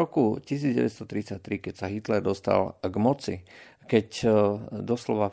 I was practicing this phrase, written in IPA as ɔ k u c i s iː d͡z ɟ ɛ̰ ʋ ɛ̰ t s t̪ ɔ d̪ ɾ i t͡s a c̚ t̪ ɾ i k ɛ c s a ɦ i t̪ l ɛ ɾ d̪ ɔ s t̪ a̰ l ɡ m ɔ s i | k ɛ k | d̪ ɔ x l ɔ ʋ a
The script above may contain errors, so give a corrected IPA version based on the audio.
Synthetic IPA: ɔ k u c i s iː d͡z ɟ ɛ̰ ʋ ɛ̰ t s t̪ ɔ t̪ ɾ i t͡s a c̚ t̪ ɾ i k ɛ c s a ɦ i t̪ l ɛ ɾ d̪ ɔ s t̪ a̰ l ɡ m ɔ t͡s i | k ɛ c | d̪ ɔ s l ɔ ʋ a